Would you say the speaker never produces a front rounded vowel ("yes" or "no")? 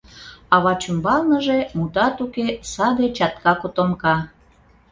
yes